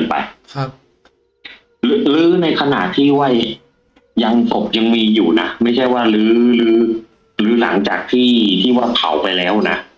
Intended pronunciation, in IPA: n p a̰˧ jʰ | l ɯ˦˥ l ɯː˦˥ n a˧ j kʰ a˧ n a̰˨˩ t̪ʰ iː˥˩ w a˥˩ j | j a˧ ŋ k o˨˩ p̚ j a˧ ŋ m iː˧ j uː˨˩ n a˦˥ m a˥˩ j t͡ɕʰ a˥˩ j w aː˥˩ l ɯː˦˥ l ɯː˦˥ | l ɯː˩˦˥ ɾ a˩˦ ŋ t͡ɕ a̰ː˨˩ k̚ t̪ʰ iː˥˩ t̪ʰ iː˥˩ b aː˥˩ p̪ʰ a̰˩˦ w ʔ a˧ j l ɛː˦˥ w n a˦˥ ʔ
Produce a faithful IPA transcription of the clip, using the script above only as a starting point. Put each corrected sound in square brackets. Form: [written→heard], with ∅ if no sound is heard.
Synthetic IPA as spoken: n p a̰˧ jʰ | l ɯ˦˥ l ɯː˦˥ n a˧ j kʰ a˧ n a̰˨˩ t̪ʰ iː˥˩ w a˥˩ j | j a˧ ŋ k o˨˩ p̚ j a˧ ŋ m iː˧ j uː˨˩ n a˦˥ m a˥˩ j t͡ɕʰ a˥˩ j w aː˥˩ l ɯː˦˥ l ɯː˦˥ | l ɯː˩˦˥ [ɾ→l] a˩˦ ŋ t͡ɕ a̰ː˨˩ k̚ t̪ʰ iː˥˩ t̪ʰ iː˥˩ [b→w] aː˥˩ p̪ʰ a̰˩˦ w [ʔ→p] a˧ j l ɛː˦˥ w n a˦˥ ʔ